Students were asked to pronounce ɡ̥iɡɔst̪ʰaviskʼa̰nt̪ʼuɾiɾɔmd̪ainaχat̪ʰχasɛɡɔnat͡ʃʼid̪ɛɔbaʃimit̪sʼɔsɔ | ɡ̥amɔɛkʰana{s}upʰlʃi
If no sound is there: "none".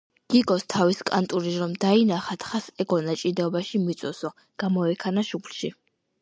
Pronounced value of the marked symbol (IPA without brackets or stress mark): ʃ